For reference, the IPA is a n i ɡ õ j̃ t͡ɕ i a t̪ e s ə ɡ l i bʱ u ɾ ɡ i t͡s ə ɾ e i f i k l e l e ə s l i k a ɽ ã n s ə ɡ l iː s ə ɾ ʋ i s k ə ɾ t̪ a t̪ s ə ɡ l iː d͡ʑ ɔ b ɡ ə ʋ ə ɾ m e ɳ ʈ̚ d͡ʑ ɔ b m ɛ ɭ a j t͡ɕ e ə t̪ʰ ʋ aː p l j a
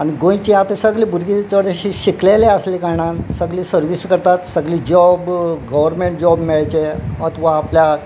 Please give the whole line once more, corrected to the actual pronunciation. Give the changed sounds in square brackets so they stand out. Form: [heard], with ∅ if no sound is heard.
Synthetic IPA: a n i ɡ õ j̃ t͡ɕ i a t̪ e s ə ɡ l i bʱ u ɾ ɡ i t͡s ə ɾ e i [ɕ] i k l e l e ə s l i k a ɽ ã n s ə ɡ l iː s ə ɾ ʋ i s k ə ɾ t̪ a t̪ s ə ɡ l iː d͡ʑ ɔ b ɡ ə ʋ ə ɾ m e ɳ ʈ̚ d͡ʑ ɔ b m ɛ ɭ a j t͡ɕ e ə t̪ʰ ʋ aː p l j a